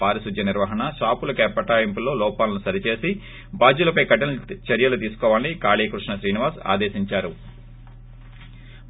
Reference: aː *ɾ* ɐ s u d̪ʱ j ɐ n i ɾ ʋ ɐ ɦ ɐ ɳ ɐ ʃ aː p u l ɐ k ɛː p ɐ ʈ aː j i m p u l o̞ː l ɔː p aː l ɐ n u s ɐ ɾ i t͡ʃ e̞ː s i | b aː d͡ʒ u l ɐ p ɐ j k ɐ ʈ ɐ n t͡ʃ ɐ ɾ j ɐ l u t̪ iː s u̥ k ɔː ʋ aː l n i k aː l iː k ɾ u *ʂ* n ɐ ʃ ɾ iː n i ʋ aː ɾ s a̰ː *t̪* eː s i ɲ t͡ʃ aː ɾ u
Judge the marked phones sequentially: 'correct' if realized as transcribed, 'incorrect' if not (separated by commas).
correct, correct, incorrect